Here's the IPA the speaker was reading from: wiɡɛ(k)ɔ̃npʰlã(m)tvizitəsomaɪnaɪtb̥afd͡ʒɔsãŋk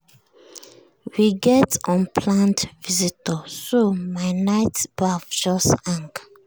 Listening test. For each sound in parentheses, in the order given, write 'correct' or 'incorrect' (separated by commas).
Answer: incorrect, incorrect